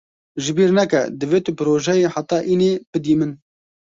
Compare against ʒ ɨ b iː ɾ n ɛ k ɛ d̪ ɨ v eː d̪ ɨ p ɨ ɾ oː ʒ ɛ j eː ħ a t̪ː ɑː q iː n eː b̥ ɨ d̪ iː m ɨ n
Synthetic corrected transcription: ʒ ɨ b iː ɾ n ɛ k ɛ d̪ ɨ v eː t̪ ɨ p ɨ ɾ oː ʒ ɛ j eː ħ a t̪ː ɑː ʔ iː n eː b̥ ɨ d̪ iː m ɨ n